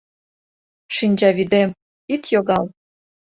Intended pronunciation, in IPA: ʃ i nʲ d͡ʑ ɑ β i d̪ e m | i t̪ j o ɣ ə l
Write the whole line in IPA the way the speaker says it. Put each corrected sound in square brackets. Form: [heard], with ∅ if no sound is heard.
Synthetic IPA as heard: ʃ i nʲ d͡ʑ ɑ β i d̪ e m | i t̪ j o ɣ [ɑ] l